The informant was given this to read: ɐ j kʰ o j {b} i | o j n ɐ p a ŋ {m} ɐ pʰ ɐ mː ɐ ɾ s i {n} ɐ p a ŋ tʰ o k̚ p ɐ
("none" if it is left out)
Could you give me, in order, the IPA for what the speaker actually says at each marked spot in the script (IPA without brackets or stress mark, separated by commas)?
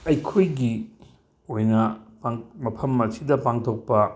ɡ, m, d